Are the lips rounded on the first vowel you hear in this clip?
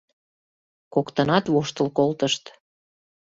yes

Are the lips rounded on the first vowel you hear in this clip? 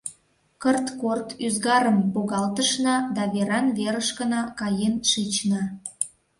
no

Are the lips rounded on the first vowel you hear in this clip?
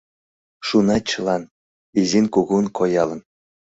yes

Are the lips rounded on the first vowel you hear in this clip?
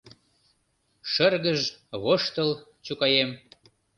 no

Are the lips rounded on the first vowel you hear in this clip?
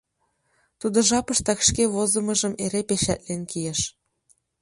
yes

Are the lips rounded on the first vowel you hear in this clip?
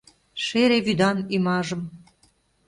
no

